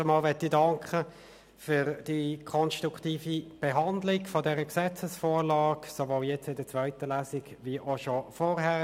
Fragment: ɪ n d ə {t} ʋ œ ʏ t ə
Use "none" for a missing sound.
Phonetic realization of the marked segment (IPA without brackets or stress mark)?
t͡s